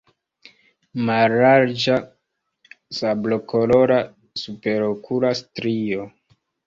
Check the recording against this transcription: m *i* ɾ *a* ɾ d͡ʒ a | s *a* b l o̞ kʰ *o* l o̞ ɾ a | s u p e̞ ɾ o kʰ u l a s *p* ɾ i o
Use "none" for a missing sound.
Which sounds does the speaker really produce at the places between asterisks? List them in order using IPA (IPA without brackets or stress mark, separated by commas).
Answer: a, a, a, o, t